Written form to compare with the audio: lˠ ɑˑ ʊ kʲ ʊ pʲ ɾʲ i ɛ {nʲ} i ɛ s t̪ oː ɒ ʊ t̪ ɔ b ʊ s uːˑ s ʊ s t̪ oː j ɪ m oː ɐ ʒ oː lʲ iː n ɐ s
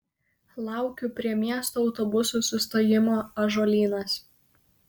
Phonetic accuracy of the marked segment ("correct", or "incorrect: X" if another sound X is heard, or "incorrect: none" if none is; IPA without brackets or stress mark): incorrect: mʲ